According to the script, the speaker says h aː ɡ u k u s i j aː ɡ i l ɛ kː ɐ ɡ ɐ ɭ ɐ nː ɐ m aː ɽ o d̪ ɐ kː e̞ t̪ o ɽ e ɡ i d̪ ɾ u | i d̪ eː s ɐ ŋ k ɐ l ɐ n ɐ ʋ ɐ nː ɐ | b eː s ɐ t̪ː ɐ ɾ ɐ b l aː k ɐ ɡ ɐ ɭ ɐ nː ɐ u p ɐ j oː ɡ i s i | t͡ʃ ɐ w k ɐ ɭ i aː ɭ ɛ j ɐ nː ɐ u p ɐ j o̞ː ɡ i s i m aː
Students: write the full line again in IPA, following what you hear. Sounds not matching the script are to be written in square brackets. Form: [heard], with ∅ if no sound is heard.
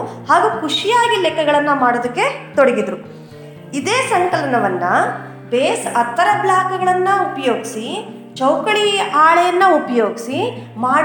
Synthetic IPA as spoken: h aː ɡ u k u [ʂ] i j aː ɡ i l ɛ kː ɐ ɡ ɐ ɭ ɐ nː ɐ m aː ɽ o d̪ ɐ kː e̞ t̪ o ɽ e ɡ i d̪ ɾ u | i d̪ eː s ɐ ŋ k ɐ l ɐ n ɐ ʋ ɐ nː ɐ | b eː s ɐ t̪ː ɐ ɾ ɐ b l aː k ɐ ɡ ɐ ɭ ɐ nː ɐ u p ɐ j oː ɡ i s i | t͡ʃ ɐ w k ɐ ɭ i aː ɭ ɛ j ɐ nː ɐ u p ɐ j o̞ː ɡ i s i m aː